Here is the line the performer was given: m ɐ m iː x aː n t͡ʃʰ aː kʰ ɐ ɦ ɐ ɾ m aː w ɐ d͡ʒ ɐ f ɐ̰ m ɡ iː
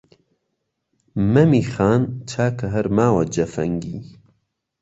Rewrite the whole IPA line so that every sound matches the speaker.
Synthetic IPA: m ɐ m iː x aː n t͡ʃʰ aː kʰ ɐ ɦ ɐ ɾ m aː w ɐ d͡ʒ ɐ f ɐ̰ ŋ ɡ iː